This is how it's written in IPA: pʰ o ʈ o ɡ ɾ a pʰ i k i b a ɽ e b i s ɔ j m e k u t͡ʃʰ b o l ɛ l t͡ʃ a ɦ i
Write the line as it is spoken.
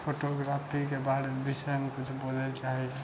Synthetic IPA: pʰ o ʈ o ɡ ɾ a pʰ i k e b a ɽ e b i s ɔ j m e k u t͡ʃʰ b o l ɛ l t͡ʃ a ɦ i